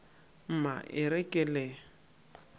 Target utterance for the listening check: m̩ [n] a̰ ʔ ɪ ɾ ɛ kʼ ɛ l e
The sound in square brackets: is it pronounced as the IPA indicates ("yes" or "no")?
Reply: no